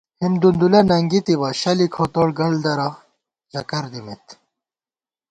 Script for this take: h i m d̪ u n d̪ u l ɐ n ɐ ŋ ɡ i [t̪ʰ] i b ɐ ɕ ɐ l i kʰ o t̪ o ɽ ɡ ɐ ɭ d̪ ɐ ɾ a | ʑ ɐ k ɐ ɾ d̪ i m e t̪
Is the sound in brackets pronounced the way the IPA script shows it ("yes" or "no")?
no